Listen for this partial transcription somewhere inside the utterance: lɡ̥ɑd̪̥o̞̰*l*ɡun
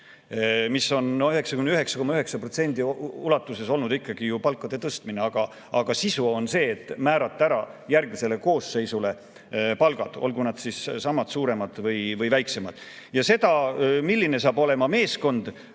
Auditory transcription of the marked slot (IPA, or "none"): l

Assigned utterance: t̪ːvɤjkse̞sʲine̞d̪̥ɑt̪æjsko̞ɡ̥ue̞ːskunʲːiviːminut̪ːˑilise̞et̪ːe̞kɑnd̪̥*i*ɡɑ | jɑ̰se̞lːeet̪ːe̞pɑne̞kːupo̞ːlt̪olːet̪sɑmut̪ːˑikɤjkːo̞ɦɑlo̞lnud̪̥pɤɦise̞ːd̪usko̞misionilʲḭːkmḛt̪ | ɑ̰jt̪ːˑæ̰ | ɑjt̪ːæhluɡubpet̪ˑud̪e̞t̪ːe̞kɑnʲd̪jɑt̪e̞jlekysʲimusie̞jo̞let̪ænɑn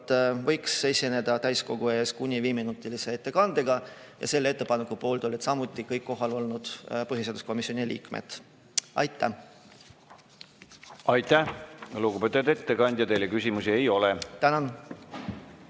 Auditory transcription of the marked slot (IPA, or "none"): e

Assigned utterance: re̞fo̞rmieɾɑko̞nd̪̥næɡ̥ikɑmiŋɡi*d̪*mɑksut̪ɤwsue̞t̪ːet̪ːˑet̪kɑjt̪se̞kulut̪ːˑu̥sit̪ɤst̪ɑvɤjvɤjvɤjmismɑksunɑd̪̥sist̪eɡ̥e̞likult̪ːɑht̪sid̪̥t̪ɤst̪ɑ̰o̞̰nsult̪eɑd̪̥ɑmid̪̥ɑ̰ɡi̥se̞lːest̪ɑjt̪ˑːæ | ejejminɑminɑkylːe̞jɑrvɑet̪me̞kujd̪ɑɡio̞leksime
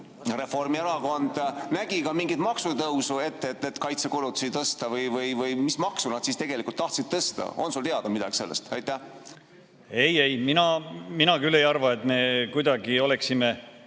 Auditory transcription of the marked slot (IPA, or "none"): t̪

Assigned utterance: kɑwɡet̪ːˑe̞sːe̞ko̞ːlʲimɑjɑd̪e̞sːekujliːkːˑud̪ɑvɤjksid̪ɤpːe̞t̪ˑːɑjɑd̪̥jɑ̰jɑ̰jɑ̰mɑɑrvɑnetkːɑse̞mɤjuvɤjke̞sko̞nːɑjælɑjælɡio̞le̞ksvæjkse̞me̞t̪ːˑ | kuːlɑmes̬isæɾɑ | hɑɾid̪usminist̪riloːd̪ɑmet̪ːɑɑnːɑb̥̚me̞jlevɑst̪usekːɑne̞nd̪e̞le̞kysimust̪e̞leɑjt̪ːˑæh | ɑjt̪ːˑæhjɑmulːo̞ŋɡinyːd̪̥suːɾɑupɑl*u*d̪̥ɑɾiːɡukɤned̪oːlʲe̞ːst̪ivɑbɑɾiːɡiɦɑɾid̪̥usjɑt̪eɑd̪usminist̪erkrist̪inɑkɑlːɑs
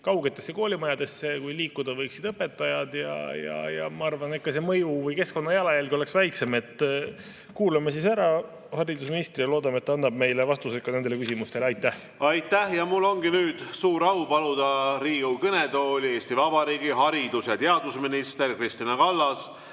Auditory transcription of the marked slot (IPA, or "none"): u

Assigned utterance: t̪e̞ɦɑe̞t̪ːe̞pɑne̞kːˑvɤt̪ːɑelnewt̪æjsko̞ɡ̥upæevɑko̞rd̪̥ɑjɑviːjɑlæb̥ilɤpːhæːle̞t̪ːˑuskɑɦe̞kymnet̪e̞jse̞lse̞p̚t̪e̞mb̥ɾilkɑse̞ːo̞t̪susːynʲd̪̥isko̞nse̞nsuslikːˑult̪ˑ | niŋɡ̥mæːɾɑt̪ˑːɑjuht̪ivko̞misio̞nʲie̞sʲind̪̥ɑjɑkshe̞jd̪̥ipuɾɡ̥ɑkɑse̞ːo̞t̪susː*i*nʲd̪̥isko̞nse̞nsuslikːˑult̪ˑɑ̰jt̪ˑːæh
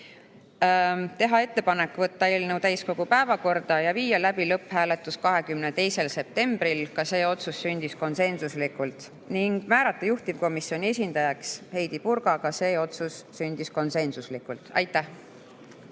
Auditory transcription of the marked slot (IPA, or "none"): y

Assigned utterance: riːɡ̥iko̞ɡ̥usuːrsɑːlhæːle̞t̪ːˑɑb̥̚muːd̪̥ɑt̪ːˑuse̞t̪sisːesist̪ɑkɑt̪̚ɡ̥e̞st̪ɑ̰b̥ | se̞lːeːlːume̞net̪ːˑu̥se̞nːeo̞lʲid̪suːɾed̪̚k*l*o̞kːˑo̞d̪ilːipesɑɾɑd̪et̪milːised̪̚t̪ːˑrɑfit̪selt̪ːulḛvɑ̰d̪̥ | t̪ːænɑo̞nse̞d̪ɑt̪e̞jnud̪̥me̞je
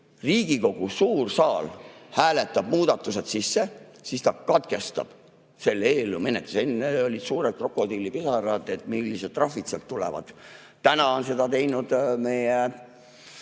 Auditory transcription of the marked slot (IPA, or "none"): r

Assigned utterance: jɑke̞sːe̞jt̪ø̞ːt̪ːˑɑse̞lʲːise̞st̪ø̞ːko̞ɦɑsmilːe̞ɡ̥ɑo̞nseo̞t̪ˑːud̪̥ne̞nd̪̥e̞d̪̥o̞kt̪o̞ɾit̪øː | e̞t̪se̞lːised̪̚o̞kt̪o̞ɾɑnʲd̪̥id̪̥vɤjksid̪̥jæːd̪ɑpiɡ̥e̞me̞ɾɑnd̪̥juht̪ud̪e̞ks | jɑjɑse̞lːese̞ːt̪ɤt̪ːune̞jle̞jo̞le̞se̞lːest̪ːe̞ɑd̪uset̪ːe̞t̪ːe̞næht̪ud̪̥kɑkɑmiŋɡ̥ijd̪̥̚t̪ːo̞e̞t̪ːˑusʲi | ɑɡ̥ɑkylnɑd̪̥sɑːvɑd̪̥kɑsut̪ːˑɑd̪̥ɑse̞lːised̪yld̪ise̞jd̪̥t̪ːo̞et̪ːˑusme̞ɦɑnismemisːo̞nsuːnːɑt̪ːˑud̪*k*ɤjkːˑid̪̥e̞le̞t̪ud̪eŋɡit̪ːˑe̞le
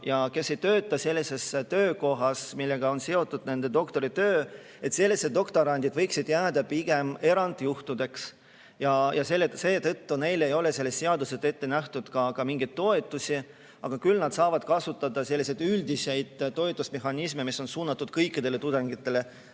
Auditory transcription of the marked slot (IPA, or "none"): k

